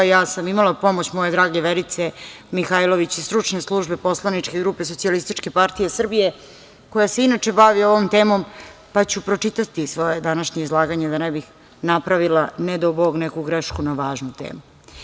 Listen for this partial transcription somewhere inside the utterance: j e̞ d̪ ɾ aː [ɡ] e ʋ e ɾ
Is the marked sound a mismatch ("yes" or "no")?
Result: no